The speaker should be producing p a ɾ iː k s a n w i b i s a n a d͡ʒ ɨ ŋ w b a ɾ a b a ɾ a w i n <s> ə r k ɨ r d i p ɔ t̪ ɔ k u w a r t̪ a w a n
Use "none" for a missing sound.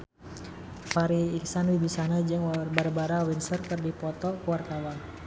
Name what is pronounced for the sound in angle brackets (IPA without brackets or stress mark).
s